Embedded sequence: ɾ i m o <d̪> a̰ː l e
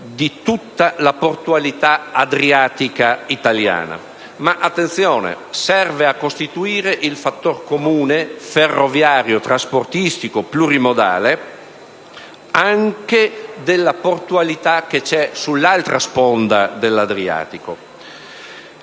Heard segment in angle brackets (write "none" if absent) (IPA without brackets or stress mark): d̪